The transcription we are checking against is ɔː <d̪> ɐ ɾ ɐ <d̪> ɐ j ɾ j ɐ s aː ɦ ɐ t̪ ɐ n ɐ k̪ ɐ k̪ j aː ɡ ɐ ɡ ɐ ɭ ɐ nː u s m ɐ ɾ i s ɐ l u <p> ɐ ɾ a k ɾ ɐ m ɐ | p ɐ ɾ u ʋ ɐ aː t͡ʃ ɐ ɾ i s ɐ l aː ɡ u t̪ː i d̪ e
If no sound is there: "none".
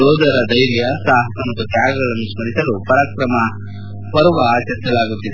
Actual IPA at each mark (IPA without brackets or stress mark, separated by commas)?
d̪, d̪, p